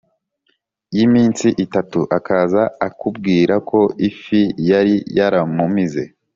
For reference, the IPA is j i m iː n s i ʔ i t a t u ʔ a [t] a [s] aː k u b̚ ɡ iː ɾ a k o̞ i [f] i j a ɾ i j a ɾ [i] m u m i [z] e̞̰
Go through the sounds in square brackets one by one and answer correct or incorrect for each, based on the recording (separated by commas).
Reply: incorrect, incorrect, correct, incorrect, correct